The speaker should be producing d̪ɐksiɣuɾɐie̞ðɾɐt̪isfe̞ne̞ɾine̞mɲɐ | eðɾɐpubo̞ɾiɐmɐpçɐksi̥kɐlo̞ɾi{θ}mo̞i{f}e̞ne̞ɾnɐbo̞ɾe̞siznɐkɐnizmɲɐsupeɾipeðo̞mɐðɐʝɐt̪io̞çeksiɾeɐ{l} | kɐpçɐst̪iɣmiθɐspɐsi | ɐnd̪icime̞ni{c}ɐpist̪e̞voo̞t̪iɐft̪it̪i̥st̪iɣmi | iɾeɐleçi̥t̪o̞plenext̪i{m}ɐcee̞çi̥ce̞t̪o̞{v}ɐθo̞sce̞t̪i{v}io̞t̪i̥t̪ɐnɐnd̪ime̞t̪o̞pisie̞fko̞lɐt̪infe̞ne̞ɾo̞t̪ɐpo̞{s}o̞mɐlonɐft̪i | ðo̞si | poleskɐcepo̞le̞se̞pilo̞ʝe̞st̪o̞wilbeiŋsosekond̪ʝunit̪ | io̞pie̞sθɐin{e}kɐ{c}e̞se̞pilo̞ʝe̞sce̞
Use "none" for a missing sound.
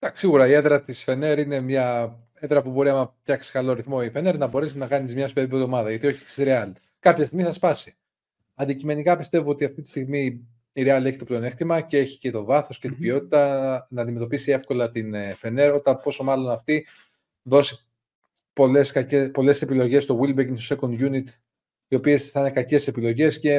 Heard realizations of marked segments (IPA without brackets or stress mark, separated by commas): θ, f, l, k, m, v, b, s, e, c